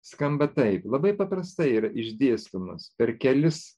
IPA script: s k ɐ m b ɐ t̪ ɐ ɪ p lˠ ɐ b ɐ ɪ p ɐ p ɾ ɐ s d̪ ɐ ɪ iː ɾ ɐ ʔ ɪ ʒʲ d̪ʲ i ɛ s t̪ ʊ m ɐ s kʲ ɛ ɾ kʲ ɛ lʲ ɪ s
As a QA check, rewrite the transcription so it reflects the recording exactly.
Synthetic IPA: s k ɐ m b ɐ t̪ ɐ ɪ p lˠ ɐ b ɐ ɪ p ɐ p ɾ ɐ s t̪ ɐ ɪ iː ɾ ɐ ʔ ɪ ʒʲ d̪ʲ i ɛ s t̪ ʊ m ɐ s pʲ ɛ ɾ kʲ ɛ lʲ ɪ s